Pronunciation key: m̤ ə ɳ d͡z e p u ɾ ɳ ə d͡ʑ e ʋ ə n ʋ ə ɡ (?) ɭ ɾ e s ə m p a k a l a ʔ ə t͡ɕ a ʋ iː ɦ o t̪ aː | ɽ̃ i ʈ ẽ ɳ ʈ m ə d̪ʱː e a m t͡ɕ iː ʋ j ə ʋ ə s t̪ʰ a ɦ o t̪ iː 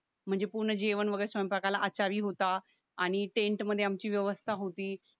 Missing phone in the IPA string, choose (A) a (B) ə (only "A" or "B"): B